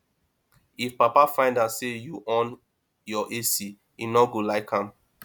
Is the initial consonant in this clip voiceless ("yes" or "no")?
yes